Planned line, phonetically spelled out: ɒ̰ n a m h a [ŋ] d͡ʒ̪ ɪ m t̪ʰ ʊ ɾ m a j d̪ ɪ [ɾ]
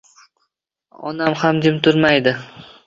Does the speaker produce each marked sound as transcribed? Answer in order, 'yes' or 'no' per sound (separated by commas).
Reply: no, no